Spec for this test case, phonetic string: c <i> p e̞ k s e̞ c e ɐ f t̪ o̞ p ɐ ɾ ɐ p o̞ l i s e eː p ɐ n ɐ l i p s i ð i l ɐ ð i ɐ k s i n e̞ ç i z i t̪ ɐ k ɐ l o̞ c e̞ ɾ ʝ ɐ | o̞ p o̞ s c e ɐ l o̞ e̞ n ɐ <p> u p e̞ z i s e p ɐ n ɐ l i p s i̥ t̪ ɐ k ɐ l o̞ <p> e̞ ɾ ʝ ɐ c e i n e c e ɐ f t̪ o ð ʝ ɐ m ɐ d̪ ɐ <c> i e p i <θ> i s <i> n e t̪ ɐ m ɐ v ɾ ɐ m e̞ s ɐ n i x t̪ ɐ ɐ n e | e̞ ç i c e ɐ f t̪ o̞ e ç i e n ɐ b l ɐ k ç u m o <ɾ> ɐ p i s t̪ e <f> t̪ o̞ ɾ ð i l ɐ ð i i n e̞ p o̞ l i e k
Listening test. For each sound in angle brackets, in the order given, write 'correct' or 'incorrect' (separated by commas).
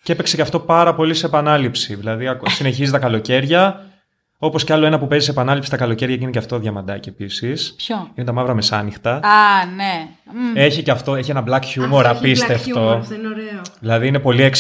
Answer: incorrect, correct, incorrect, correct, incorrect, correct, correct, correct